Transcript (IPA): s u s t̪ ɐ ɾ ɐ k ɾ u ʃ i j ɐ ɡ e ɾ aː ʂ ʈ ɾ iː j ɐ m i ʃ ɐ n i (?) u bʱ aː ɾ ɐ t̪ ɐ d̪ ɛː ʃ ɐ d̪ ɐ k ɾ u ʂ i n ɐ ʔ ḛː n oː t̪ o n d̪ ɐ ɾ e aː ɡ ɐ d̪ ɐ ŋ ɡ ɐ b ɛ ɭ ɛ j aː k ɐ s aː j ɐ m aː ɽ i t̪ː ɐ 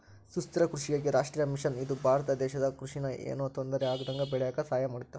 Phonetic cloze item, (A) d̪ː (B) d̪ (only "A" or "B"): B